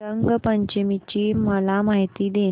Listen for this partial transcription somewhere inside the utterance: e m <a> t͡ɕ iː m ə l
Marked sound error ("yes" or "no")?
yes